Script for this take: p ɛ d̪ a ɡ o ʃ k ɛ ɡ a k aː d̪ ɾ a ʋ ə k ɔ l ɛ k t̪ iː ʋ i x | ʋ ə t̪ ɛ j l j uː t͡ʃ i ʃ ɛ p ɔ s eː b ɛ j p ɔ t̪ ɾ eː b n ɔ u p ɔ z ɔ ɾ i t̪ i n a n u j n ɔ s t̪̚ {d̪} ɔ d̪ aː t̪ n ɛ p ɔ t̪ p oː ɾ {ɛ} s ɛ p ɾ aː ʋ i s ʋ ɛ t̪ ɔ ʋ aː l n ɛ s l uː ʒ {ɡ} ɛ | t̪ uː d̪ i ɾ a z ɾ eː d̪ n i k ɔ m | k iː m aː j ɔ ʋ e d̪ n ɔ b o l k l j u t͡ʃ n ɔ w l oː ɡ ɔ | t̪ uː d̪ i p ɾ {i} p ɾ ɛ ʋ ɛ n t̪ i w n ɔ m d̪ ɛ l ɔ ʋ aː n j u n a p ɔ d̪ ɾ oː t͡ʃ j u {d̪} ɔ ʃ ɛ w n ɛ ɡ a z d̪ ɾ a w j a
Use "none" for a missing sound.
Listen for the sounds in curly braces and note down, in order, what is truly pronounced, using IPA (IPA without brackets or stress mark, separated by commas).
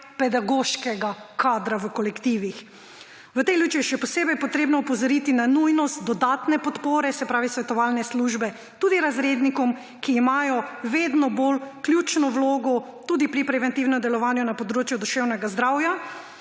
d̪, ɛ, b, i, d̪